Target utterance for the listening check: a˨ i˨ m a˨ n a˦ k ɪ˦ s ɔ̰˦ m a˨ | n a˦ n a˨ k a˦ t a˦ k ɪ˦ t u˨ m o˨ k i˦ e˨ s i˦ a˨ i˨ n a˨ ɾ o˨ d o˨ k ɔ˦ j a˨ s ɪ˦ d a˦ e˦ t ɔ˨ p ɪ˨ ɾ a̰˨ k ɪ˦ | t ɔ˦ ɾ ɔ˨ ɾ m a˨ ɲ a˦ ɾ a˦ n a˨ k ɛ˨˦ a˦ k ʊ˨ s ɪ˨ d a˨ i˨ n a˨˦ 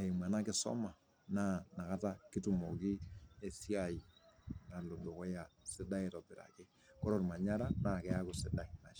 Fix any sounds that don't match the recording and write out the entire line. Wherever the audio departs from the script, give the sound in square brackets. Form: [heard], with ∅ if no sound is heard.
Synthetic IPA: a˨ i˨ m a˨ n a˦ k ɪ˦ s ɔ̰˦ m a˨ | n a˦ n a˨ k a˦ t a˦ k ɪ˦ t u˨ m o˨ k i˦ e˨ s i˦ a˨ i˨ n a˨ [l] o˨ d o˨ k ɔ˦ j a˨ s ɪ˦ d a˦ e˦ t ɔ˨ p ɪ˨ ɾ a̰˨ k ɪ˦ | [k] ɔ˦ ɾ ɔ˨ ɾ m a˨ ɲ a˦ ɾ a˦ n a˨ k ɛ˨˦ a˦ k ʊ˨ s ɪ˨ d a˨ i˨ n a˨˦

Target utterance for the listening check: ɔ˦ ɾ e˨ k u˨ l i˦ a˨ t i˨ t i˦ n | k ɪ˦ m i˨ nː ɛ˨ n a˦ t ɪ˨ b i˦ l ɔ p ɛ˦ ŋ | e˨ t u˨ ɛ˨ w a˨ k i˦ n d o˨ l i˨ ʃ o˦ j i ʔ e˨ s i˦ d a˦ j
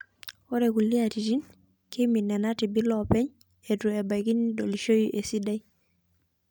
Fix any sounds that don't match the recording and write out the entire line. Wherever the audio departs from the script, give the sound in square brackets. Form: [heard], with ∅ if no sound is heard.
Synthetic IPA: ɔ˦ ɾ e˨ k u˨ l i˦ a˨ t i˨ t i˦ n | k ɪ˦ m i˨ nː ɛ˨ n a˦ t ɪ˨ b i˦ l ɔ p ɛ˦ [ɲ] | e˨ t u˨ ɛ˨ [b] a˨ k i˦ n d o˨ l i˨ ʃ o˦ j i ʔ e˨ s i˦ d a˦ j

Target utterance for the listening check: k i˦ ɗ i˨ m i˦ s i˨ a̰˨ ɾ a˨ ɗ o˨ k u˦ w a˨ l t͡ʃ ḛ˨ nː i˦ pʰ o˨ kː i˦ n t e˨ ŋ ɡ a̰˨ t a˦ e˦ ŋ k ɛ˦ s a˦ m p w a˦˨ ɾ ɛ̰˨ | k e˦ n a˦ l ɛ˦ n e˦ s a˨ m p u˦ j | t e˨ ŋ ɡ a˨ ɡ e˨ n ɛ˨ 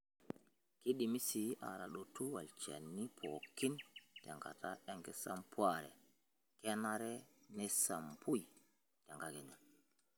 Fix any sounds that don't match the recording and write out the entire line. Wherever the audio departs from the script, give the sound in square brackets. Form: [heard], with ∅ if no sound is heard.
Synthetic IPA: k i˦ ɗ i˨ m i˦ s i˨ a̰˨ ɾ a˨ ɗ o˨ [t] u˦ w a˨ l t͡ʃ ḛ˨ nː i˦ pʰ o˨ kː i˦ n t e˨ ŋ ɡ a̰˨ t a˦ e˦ ŋ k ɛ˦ s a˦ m p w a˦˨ ɾ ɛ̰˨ | k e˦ n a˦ [ɾ] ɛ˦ n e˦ s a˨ m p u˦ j | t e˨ ŋ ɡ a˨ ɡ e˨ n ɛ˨

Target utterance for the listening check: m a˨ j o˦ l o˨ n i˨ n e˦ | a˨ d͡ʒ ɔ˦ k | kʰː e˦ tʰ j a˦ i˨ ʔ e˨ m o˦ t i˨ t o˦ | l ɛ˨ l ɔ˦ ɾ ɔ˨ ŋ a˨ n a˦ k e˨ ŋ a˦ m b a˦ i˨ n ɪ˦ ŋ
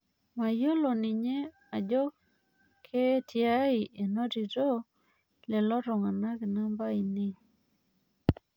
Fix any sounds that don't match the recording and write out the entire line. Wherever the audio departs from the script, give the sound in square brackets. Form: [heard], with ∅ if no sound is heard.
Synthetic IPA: m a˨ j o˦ l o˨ n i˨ [ɲ] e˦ | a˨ d͡ʒ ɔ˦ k | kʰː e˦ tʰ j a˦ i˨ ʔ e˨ [n] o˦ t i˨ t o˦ | l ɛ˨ l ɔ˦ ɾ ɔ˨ ŋ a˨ n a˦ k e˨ [n] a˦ m b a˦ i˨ n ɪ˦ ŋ

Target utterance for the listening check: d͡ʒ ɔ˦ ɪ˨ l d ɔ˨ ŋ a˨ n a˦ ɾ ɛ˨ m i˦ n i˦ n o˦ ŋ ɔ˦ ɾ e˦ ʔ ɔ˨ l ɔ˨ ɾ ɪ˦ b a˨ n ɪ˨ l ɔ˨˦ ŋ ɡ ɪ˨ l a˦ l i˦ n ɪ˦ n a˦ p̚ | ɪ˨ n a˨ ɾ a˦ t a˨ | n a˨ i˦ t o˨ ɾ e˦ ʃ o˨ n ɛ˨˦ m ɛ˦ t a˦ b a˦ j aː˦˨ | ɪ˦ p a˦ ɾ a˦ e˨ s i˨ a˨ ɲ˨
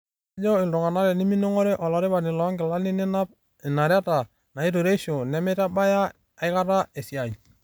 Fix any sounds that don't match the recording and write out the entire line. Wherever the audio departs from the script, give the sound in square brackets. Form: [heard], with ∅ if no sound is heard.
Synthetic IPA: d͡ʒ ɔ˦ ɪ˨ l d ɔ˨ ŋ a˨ n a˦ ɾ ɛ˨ [n] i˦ [m] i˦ n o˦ ŋ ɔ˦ ɾ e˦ ʔ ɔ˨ l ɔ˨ ɾ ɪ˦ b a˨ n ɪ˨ l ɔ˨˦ ŋ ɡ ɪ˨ l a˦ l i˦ n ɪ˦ n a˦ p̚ | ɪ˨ n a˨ ɾ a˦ t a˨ | n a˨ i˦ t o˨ ɾ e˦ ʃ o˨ n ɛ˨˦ m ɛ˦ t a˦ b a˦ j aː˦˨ | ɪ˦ [k] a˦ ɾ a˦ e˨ s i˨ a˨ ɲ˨

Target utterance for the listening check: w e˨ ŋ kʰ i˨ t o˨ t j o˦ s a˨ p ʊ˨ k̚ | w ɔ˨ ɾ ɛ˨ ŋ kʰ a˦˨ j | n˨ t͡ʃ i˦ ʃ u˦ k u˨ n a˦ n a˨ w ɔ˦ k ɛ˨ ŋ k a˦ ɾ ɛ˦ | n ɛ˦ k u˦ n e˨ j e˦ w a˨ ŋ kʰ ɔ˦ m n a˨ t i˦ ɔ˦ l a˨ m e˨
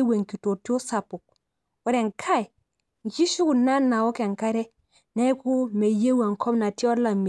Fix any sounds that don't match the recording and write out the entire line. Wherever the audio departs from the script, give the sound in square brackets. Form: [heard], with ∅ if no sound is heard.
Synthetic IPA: w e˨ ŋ [k] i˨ t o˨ t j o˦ s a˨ p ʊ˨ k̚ | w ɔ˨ ɾ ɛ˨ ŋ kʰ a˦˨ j | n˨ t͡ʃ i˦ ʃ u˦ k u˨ n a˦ n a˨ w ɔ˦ k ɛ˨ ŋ k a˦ ɾ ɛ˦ | n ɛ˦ k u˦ [m] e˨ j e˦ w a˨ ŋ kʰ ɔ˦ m n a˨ t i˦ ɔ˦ l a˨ m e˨

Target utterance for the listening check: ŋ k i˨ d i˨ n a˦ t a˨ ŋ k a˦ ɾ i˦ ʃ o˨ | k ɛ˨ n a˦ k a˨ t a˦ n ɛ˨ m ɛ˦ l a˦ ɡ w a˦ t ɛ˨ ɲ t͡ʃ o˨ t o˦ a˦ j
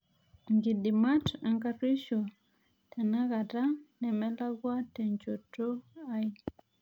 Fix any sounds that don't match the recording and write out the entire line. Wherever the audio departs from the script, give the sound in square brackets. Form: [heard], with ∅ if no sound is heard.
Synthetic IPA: ŋ [ɡ] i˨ d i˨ [m] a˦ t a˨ ŋ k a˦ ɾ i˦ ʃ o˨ | [t] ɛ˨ n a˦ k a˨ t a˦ n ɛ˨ m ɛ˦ l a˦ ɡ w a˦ t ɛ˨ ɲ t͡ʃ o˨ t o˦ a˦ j

